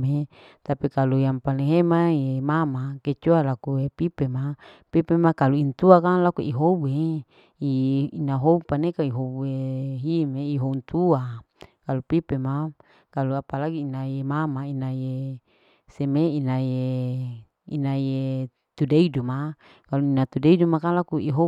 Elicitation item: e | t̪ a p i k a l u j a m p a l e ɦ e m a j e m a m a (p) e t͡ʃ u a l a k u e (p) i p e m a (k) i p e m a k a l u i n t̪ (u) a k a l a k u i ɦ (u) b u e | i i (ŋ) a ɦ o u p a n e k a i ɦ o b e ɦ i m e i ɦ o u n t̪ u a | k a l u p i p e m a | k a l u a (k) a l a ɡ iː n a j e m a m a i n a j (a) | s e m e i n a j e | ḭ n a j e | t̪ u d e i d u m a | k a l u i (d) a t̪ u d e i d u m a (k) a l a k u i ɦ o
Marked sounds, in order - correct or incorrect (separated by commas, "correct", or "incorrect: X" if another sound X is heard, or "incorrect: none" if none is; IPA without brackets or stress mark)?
incorrect: k, correct, incorrect: p, correct, incorrect: o, incorrect: n, incorrect: p, incorrect: e, incorrect: n, correct